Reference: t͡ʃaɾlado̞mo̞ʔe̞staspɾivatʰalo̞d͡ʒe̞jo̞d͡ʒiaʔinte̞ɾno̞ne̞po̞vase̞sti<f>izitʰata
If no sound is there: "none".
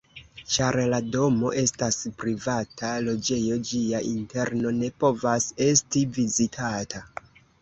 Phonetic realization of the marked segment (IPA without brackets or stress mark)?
v